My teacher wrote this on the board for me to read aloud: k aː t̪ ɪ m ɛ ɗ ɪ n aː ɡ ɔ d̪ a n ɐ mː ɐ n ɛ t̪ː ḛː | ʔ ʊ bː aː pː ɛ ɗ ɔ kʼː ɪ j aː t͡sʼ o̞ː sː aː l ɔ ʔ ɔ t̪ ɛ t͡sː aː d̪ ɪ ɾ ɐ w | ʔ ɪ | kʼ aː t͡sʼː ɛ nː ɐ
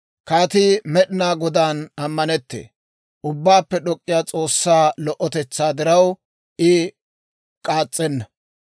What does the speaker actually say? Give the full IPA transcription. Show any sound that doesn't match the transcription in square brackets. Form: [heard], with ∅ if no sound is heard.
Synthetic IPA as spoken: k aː t̪ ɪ m ɛ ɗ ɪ n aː ɡ ɔ d̪ a n ɐ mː ɐ n ɛ t̪ː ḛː | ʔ ʊ bː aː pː ɛ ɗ ɔ kʼː ɪ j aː t͡sʼ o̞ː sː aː l ɔ ʔ ɔ t̪ ɛ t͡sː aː d̪ ɪ ɾ ɐ w | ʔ ɪ | kʼ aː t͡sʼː ɛ nː ɐ